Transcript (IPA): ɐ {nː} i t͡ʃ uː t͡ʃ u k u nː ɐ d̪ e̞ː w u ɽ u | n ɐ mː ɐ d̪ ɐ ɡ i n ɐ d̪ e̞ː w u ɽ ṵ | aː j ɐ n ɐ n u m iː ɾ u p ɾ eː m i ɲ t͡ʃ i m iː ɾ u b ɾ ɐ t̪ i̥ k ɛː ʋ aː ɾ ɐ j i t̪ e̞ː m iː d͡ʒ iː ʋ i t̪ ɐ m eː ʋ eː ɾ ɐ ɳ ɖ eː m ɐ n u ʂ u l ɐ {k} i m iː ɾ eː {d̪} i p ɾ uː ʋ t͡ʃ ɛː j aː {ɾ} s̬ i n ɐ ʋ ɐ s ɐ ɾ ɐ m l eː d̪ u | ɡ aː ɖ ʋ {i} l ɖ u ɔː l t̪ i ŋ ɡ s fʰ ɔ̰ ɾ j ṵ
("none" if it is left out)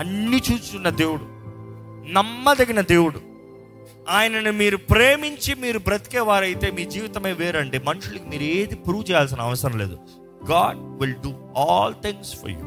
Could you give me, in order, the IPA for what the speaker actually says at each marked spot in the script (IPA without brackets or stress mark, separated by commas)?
nː, k, d̪, l, i